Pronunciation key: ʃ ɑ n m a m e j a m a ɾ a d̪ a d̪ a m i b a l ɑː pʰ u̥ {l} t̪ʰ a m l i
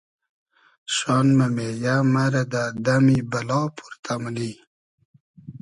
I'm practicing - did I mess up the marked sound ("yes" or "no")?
yes